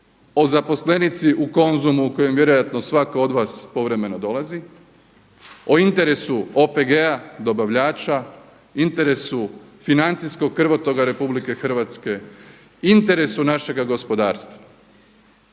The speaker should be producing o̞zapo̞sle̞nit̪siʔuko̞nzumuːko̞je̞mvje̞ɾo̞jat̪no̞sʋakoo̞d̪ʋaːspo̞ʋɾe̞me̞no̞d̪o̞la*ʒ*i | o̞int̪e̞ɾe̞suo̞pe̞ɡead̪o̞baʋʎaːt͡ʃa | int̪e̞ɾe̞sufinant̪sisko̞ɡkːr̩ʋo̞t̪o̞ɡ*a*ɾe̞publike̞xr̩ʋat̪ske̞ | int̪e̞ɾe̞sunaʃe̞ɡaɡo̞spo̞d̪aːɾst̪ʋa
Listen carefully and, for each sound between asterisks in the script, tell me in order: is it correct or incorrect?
incorrect: z, correct

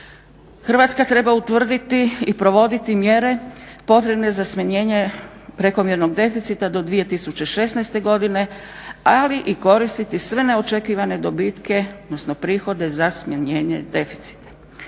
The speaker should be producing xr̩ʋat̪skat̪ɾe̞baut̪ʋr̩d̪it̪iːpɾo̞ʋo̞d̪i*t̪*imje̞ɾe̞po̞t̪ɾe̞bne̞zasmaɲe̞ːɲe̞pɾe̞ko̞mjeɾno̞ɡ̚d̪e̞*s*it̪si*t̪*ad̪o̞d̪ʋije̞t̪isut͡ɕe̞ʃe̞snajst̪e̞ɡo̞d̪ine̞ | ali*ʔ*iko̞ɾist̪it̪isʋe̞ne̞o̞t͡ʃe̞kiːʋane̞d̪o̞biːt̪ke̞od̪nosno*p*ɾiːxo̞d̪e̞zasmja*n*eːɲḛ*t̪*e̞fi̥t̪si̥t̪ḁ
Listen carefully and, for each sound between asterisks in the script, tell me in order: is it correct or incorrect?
correct, incorrect: f, correct, correct, correct, incorrect: ɲ, incorrect: d̪

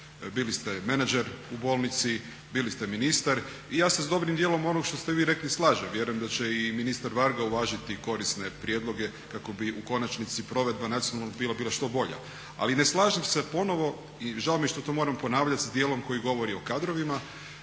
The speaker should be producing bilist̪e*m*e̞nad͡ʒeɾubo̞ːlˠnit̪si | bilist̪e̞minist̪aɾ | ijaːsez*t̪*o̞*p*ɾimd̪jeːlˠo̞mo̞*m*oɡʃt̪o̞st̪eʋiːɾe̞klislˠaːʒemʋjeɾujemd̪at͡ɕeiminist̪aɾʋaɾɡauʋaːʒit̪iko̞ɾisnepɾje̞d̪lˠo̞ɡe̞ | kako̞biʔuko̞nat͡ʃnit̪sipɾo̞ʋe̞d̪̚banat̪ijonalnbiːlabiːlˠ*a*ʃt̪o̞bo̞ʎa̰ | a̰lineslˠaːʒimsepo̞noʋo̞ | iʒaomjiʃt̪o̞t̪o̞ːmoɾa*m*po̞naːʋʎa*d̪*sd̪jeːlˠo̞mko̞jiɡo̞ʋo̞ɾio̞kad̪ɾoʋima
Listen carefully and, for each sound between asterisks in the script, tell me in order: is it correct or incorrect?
correct, incorrect: d̪, incorrect: b, incorrect: n, correct, correct, incorrect: t̪

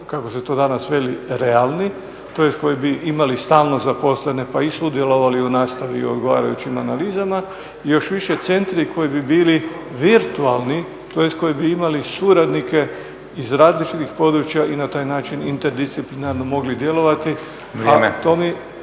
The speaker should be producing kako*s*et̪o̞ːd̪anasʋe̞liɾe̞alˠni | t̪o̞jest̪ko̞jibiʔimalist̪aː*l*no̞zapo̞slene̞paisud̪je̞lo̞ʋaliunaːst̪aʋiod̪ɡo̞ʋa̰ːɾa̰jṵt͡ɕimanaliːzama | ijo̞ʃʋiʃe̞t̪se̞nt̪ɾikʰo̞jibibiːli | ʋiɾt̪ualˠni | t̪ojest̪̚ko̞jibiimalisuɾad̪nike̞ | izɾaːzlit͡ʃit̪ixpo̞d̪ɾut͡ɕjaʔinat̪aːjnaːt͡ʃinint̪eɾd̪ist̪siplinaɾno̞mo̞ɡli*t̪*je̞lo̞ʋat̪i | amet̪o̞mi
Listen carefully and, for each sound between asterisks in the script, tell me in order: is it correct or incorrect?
correct, correct, incorrect: d̪

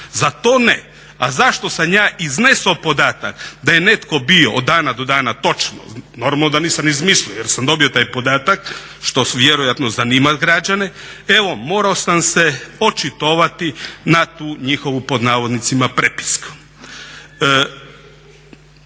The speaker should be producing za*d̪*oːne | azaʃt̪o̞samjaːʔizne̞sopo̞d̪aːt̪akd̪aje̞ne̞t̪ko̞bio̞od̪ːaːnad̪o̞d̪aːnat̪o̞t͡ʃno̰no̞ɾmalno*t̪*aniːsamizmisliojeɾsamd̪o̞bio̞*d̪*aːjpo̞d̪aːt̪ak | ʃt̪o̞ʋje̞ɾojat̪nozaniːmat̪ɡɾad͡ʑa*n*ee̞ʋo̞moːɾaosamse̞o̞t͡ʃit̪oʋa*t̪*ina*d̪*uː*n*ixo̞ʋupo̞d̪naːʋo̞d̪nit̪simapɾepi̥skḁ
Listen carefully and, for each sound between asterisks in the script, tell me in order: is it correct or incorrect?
incorrect: t̪, incorrect: d̪, incorrect: t̪, correct, correct, incorrect: t̪, incorrect: ɲ

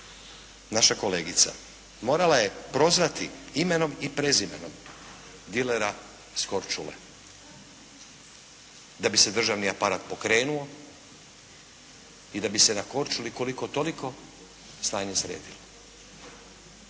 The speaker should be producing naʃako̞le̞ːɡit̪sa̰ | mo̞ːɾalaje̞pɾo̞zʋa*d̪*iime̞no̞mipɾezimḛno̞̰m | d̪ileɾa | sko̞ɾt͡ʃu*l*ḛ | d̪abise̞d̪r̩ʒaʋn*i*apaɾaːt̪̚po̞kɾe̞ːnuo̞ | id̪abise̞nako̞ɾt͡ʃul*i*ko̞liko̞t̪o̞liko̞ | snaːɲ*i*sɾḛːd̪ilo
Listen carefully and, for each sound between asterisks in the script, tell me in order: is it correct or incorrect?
incorrect: t̪, correct, correct, correct, incorrect: e

